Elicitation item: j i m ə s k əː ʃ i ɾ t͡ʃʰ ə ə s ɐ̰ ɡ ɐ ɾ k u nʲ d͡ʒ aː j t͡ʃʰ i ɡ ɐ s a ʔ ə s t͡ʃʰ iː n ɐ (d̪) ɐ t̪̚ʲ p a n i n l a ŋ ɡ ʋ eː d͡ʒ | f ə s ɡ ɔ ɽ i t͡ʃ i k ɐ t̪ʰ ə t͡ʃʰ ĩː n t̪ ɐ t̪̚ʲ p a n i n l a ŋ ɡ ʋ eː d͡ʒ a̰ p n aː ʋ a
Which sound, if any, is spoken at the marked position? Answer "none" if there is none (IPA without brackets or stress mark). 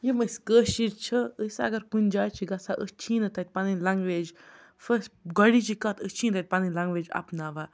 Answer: t̪